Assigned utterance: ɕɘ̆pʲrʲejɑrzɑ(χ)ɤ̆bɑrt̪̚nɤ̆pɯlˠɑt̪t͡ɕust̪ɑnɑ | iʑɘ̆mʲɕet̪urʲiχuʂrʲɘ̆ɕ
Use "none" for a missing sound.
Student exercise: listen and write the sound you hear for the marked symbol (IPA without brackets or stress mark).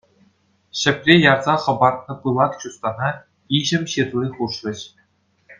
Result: χ